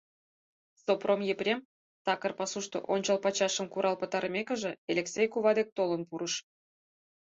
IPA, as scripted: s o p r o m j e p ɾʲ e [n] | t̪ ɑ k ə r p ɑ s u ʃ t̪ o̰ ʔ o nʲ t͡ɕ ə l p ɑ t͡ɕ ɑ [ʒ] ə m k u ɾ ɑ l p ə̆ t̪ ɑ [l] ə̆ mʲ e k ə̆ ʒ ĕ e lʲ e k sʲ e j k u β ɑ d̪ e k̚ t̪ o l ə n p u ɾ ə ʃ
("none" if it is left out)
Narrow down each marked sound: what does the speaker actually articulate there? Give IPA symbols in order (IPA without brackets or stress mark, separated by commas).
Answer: m, ʃ, ɾ